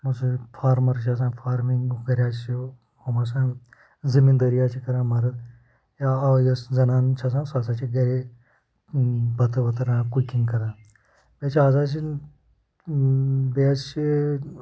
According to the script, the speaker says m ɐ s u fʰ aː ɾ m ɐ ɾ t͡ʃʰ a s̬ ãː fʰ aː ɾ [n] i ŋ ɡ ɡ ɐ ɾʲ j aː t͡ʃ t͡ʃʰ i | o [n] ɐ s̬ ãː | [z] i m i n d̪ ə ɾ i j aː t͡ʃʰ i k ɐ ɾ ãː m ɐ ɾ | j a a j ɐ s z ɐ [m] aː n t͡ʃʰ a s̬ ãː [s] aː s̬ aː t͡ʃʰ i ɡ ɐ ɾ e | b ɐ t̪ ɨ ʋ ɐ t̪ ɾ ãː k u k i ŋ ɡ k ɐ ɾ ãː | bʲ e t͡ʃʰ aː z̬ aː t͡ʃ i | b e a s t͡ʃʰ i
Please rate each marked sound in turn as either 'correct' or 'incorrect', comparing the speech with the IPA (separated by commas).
incorrect, incorrect, correct, incorrect, correct